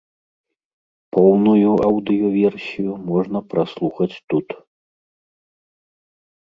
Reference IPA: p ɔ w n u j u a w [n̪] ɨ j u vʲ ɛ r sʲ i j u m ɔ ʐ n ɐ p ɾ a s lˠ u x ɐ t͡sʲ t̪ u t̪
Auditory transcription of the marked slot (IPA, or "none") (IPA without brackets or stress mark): d̪